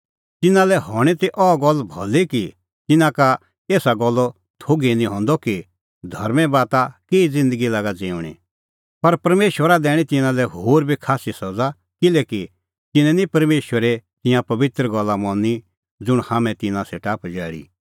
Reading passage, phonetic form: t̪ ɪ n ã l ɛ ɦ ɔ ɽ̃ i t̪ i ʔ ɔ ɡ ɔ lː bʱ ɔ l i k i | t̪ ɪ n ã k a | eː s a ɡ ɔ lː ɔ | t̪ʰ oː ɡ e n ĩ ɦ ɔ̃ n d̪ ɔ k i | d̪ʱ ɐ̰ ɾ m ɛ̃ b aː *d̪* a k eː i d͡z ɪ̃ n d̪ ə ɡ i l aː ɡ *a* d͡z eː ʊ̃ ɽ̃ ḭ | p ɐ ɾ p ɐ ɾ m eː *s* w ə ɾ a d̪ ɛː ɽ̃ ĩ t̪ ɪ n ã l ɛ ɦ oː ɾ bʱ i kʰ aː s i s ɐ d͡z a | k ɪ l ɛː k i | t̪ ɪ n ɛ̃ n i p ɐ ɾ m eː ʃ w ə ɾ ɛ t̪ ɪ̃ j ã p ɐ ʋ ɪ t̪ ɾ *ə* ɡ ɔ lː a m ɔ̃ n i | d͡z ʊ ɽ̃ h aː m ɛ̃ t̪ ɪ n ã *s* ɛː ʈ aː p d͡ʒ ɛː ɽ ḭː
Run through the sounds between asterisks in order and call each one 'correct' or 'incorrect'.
incorrect, correct, incorrect, correct, correct

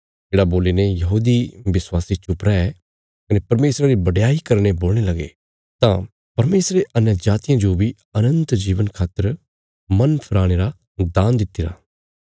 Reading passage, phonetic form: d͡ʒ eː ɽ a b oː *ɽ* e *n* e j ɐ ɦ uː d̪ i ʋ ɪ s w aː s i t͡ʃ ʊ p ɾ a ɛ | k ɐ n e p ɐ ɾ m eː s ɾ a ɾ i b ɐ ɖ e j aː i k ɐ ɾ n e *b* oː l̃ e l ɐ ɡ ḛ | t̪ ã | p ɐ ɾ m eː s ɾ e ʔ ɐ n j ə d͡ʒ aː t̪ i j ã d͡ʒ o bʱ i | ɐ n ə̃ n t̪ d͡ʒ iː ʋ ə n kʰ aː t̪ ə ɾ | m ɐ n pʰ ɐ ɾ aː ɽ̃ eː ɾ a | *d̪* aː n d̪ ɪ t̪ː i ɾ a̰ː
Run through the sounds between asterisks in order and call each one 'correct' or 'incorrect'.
incorrect, correct, correct, correct

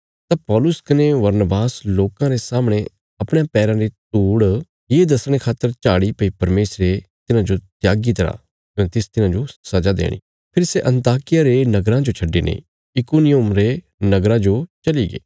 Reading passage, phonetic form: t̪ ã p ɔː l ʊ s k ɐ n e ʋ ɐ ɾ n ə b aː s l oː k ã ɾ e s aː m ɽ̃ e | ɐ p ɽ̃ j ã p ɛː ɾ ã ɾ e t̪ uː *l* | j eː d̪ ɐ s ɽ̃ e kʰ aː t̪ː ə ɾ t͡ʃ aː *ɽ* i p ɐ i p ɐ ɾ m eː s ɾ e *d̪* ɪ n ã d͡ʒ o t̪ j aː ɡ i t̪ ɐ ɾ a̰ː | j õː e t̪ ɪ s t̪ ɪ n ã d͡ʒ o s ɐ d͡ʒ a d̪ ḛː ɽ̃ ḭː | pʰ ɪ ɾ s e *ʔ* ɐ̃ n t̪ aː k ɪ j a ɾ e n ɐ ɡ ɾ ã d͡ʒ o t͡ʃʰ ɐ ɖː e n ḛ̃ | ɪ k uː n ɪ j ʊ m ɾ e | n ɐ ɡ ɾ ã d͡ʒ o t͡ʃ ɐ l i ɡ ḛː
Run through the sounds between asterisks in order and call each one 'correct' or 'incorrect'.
incorrect, correct, incorrect, correct

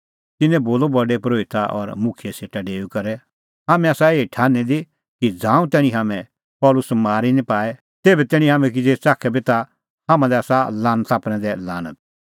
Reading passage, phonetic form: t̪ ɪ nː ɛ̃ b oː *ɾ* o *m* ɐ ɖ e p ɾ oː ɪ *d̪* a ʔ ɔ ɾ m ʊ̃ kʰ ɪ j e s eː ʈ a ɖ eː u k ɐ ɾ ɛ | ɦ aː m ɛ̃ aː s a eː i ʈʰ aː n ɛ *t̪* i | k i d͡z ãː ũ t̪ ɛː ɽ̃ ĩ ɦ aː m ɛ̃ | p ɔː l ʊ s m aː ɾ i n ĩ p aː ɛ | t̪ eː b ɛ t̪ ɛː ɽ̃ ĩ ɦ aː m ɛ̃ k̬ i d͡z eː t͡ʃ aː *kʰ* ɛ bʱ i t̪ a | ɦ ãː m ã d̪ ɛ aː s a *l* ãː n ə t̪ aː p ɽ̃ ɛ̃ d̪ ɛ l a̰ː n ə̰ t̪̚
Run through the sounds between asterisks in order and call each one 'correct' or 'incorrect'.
incorrect, incorrect, incorrect, incorrect, correct, correct

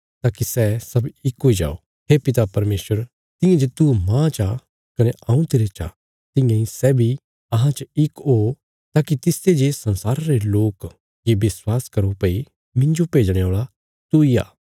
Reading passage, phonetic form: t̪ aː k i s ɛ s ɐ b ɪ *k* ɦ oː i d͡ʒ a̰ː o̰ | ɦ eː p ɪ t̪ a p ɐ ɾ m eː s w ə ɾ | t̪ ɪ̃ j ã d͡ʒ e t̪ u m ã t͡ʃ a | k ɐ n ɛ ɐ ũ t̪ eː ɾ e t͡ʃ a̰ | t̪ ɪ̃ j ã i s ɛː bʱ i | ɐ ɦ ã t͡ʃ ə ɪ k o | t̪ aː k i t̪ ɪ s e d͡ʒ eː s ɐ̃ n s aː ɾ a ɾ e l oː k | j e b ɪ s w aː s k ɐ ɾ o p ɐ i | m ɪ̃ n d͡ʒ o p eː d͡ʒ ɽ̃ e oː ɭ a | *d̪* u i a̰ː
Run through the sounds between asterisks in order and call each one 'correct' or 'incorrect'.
correct, incorrect

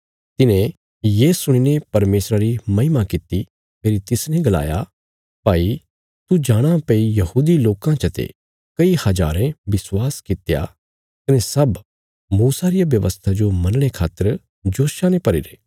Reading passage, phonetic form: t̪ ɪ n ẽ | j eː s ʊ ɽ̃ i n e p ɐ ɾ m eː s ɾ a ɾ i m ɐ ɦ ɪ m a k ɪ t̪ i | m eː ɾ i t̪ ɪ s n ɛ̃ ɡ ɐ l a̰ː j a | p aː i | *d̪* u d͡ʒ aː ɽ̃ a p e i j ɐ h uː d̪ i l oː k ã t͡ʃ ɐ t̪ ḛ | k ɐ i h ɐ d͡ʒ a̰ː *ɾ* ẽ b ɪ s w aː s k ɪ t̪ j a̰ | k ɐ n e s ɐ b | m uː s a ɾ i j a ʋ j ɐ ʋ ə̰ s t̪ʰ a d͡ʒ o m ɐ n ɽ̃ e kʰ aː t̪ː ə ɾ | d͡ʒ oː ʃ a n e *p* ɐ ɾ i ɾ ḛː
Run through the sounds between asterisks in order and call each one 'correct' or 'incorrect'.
incorrect, correct, correct

